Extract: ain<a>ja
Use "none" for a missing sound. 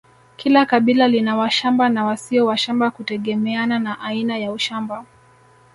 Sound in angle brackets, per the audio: a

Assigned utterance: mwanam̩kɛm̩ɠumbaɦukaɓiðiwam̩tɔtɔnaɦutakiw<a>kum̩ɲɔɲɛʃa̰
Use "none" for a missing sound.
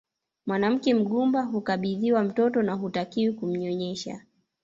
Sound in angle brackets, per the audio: i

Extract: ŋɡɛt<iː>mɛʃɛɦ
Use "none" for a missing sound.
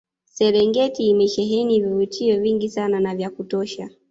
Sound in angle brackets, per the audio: iː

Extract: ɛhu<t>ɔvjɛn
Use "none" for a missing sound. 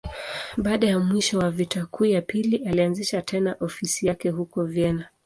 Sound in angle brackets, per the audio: k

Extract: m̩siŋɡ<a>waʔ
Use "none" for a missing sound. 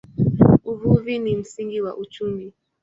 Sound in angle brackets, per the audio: i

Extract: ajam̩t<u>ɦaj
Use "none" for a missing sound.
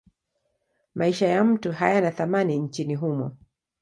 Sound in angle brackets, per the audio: u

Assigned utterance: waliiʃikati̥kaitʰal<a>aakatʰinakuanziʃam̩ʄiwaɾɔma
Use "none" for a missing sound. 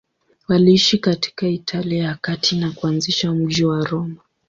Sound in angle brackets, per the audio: i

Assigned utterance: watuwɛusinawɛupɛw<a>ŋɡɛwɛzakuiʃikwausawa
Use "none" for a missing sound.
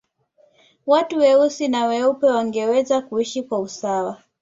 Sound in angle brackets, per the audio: a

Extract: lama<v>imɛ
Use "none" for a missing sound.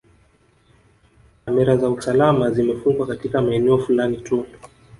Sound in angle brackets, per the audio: z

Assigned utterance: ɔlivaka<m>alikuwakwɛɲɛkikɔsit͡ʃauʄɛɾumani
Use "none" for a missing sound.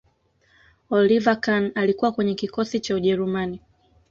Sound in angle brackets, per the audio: n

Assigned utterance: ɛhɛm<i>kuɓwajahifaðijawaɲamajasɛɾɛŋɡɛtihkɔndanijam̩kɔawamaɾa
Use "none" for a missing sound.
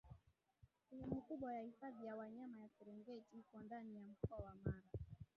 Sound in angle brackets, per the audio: i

